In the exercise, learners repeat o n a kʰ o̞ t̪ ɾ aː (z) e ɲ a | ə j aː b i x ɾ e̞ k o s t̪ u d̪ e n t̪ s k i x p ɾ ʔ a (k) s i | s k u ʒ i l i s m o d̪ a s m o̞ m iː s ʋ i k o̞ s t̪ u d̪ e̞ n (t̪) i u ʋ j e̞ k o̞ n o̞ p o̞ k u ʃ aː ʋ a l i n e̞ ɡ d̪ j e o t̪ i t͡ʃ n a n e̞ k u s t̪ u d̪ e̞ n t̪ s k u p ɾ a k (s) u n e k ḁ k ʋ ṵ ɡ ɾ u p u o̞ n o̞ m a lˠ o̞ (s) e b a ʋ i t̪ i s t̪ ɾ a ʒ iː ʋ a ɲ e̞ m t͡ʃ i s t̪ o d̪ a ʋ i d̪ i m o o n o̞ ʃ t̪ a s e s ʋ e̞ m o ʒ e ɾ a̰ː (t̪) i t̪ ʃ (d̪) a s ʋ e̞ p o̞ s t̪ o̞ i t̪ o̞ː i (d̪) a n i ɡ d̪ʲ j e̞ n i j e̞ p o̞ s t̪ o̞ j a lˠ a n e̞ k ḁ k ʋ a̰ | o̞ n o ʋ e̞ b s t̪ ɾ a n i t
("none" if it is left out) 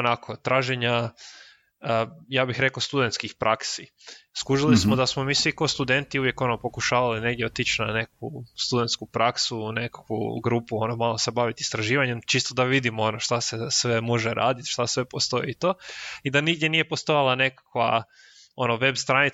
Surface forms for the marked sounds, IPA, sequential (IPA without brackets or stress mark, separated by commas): ʒ, k, t̪, s, s, d̪, t̪, d̪